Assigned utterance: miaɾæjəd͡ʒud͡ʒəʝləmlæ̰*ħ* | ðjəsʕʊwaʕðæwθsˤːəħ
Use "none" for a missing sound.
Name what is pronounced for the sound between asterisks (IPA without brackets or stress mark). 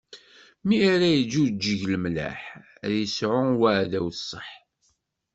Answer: ħ